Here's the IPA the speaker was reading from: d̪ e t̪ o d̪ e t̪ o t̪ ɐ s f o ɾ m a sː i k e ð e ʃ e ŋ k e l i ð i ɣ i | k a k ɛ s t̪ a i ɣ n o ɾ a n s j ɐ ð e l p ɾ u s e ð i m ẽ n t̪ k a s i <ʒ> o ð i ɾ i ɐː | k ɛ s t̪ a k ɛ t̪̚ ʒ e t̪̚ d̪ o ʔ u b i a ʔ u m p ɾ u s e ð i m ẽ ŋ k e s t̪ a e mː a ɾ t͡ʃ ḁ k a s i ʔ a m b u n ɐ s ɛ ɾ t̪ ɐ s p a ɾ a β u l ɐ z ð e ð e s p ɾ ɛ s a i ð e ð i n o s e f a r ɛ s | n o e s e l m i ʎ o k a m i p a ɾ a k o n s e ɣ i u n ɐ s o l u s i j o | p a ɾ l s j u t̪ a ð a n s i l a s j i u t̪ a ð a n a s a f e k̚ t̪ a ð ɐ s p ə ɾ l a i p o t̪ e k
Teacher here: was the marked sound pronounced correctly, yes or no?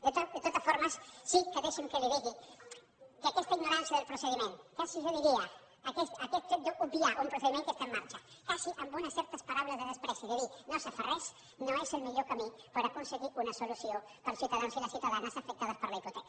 yes